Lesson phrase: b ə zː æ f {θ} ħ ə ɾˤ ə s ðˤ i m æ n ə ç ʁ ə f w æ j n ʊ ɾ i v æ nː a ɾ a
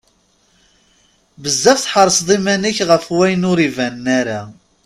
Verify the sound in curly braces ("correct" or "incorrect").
correct